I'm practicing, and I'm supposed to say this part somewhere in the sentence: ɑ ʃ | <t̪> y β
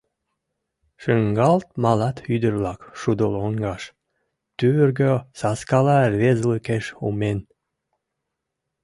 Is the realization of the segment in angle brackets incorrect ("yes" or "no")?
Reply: no